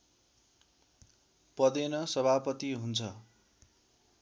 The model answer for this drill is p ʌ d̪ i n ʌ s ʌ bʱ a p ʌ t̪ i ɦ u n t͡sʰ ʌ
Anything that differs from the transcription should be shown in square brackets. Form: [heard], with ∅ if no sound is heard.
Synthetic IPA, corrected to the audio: p ʌ d̪ [e] n ʌ s ʌ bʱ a p ʌ t̪ i ɦ u n t͡sʰ ʌ